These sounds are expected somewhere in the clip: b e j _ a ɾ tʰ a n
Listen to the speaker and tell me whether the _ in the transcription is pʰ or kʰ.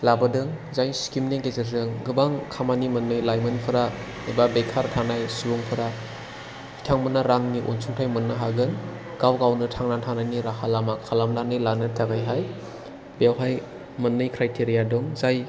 kʰ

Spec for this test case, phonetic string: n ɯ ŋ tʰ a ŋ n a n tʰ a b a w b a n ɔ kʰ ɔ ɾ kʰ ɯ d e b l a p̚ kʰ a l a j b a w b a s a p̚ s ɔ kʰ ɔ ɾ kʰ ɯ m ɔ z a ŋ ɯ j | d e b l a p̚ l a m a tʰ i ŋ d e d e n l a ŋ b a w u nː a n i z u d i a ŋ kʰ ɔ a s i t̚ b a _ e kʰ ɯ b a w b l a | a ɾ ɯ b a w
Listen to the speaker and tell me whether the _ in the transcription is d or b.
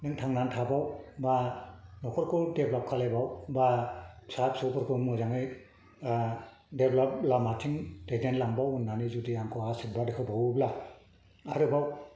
d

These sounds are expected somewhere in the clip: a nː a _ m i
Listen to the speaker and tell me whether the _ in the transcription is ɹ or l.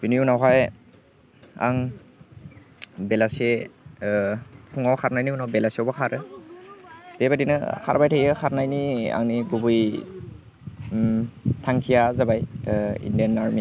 ɹ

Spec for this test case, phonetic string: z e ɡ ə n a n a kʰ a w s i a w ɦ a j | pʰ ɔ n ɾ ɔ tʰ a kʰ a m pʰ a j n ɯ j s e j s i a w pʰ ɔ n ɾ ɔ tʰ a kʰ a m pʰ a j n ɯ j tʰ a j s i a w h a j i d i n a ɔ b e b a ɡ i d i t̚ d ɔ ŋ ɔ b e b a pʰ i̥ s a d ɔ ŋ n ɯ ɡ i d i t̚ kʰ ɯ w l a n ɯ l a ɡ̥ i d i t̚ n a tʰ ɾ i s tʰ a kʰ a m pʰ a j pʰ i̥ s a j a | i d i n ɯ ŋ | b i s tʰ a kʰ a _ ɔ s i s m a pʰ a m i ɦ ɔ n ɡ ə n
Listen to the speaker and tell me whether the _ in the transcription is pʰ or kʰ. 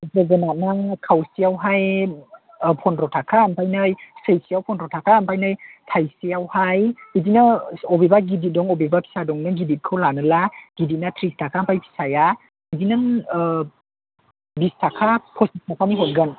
pʰ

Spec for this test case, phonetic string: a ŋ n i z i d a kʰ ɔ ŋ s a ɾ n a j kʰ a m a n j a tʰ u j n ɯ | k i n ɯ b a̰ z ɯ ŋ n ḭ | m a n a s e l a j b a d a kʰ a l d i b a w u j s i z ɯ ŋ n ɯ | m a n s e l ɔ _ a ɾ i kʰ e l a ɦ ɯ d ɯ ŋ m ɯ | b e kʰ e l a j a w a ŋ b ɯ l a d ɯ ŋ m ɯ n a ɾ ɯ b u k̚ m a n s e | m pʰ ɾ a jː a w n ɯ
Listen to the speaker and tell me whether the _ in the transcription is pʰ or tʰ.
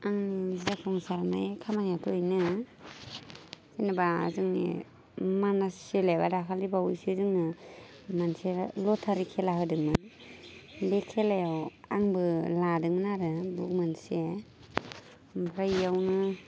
tʰ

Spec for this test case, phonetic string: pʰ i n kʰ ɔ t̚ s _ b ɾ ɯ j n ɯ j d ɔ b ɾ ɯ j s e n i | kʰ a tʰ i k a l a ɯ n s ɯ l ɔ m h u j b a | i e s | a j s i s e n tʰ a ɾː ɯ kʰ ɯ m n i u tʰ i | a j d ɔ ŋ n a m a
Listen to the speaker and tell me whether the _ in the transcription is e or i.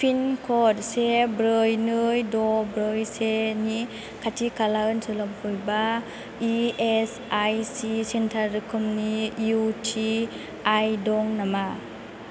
e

